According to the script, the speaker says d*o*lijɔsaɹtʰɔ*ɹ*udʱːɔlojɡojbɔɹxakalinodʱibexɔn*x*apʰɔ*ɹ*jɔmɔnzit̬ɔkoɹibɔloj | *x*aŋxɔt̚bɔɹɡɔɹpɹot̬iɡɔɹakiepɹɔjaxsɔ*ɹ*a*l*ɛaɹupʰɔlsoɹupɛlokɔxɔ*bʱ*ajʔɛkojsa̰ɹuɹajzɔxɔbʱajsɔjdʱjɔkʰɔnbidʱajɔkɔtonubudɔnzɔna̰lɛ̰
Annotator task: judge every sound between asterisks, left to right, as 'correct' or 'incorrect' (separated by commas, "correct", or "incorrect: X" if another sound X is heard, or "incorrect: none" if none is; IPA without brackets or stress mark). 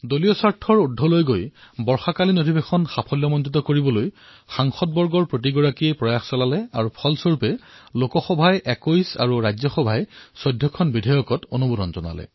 correct, correct, correct, incorrect: l, correct, incorrect: l, correct, correct